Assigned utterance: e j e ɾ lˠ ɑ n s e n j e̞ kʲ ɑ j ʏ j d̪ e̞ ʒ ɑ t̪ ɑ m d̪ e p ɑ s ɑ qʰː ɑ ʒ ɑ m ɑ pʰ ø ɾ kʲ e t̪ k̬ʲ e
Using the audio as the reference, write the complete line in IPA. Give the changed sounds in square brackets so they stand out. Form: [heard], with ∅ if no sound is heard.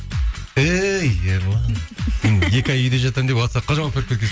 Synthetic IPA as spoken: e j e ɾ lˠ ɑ n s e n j e̞ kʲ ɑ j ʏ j d̪ e̞ ʒ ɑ t̪ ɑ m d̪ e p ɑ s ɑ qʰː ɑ ʒ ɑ m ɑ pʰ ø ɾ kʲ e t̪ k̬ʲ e